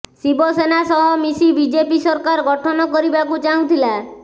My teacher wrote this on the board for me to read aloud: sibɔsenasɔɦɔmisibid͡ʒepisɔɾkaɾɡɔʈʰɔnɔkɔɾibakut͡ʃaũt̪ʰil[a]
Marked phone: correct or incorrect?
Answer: correct